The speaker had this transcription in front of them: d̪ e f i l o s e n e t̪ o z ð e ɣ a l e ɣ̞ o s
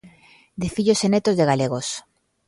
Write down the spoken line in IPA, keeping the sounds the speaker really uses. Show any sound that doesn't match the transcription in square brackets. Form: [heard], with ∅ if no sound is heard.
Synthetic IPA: d̪ e f i [ʎ] o s e n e t̪ o z ð e ɣ a l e ɣ̞ o s